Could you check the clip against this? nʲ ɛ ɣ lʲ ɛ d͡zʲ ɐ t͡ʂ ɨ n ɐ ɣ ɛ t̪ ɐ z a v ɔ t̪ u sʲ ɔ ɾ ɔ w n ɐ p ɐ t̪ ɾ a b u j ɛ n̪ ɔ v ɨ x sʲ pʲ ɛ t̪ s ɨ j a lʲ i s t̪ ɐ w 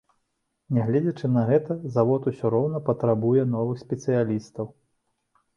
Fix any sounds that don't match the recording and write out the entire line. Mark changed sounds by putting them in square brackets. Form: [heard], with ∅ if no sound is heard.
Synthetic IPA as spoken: nʲ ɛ ɣ lʲ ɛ d͡zʲ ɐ t͡ʂ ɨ n ɐ ɣ ɛ t̪ ɐ z a v ɔ t̪ u sʲ ɔ ɾ ɔ w n ɐ p ɐ t̪ ɾ a b u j ɛ n̪ ɔ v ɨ x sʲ pʲ ɛ t̪ s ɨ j a lʲ i s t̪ ɐ w